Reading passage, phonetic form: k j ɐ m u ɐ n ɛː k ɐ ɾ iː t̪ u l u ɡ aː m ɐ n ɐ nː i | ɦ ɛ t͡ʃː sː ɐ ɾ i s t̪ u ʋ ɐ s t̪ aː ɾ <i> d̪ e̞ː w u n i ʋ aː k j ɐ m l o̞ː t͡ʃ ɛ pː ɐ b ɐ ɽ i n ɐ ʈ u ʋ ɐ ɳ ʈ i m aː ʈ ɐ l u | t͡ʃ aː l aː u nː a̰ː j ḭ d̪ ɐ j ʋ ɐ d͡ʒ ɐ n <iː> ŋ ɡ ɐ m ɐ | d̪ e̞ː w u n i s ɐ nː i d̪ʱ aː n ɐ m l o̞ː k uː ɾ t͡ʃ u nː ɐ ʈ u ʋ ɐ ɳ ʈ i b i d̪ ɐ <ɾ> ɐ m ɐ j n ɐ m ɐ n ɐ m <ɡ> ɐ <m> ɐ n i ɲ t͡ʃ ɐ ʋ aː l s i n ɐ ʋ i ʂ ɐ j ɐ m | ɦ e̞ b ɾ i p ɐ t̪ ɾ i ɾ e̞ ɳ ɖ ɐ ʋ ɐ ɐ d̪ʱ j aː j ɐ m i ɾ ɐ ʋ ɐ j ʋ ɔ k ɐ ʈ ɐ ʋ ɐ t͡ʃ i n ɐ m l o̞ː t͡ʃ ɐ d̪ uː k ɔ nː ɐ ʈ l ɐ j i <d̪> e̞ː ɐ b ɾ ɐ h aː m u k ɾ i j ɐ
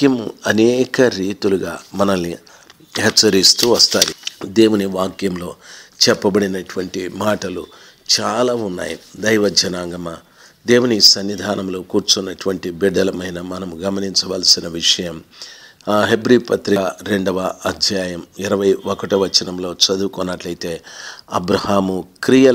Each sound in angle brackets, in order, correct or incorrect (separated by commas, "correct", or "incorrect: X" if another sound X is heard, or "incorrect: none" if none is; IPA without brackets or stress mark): correct, incorrect: aː, incorrect: l, correct, correct, incorrect: t̪